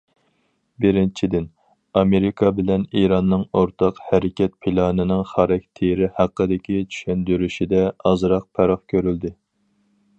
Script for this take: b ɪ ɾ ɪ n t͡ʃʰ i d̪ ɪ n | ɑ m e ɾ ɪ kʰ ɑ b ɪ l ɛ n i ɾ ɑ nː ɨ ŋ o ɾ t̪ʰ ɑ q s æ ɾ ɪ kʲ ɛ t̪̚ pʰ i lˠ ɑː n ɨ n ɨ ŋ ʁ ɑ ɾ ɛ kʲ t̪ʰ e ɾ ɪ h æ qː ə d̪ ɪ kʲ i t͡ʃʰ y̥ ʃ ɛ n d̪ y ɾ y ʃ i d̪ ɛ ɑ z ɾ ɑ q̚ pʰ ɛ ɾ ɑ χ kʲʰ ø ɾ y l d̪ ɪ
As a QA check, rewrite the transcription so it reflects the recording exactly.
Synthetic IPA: b ɪ ɾ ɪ n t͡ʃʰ i d̪ ɪ n | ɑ m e ɾ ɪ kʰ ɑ b ɪ l ɛ n i ɾ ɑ nː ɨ ŋ o ɾ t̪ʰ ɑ q h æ ɾ ɪ kʲ ɛ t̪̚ pʰ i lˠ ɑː n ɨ n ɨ ŋ χ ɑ ɾ ɛ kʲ t̪ʰ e ɾ ɪ h æ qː ə d̪ ɪ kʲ i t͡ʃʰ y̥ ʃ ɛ n d̪ y ɾ y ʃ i d̪ ɛ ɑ z ɾ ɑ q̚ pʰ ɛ ɾ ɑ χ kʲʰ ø ɾ y l d̪ ɪ